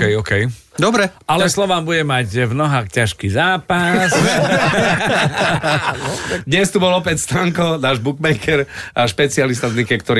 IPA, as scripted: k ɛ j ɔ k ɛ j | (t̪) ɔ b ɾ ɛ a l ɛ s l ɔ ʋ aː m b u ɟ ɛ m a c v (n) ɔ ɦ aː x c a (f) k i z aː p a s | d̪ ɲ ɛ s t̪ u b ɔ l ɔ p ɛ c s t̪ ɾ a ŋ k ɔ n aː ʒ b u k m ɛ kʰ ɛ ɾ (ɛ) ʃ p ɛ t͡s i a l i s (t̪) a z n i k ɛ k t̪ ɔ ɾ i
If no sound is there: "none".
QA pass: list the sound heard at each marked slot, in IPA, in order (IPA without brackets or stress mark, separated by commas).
d̪, n, ʃ, a, t̪